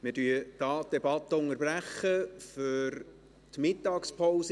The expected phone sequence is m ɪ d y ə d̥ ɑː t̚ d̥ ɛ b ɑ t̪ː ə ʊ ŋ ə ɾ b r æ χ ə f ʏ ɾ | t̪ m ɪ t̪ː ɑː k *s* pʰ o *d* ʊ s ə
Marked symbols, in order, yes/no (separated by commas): yes, no